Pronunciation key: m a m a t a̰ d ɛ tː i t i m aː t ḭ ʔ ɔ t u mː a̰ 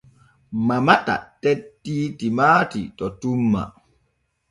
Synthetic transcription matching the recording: m a m a t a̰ t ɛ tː i t i m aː t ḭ t ɔ t u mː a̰